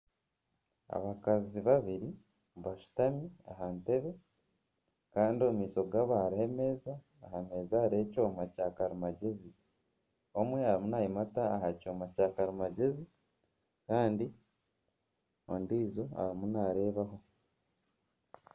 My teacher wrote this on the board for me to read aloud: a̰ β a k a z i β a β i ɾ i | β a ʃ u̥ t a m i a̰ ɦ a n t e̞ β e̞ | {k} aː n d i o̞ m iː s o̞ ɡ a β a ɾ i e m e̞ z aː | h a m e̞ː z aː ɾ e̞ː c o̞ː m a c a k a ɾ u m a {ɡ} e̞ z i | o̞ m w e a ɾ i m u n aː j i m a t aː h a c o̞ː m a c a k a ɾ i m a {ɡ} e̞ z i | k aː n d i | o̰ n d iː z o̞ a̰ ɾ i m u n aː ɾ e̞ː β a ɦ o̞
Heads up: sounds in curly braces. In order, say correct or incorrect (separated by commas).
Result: correct, incorrect, incorrect